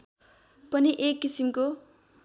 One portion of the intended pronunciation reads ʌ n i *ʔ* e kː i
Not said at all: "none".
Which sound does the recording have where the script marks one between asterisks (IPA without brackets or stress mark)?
ʔ